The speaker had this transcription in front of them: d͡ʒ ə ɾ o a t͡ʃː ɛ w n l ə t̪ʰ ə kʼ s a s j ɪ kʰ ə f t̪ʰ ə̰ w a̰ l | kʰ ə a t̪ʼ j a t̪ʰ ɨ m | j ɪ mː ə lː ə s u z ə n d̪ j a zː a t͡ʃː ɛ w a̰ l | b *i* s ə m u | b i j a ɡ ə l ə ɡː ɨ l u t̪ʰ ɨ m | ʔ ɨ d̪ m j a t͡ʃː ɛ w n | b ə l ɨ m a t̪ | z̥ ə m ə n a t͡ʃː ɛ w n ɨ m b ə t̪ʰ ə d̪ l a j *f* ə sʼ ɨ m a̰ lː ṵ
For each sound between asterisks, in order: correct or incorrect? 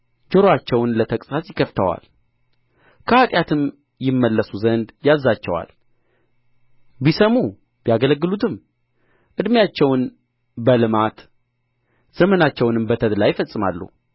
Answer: correct, correct

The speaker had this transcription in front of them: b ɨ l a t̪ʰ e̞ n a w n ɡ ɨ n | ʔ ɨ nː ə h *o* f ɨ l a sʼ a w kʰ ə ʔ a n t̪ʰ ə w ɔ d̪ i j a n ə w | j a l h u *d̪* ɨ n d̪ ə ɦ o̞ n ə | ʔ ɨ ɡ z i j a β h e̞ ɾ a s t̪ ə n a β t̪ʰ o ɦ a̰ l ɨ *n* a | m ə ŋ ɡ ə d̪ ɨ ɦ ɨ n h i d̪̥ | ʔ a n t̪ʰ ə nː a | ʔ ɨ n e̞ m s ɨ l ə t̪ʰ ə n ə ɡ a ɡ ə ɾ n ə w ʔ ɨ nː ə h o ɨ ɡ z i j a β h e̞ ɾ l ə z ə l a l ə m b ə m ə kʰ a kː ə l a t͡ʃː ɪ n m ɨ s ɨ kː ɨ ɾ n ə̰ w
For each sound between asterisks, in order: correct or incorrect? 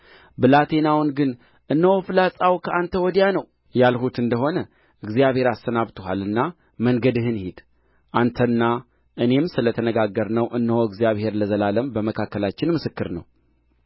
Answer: correct, incorrect: t̪, incorrect: nː

